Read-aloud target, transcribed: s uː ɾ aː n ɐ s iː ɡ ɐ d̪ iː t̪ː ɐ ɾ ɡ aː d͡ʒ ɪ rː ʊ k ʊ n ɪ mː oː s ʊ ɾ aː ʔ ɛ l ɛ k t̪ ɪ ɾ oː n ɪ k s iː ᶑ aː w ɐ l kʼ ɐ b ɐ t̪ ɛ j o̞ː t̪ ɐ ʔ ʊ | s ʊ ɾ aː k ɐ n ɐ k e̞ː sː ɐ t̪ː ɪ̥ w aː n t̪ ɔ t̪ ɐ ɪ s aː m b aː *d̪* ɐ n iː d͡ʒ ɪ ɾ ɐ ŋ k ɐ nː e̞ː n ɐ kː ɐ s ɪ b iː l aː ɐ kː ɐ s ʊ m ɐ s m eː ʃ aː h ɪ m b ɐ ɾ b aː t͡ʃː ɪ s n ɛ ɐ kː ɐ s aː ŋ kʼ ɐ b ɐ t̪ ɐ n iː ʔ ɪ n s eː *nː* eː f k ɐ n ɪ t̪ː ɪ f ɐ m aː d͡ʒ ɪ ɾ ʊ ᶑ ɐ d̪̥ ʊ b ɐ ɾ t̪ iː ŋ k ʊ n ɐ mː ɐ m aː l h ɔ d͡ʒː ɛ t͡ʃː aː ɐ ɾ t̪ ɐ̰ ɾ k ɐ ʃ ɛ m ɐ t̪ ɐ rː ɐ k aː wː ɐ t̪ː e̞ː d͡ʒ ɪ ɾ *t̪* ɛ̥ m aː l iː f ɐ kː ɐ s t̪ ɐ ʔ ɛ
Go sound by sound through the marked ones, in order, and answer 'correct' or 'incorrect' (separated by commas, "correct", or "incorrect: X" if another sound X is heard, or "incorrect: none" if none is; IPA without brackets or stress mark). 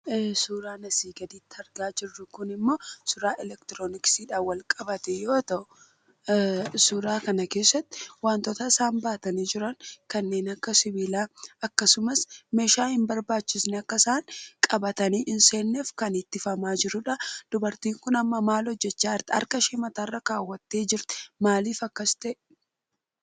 incorrect: t̪, correct, correct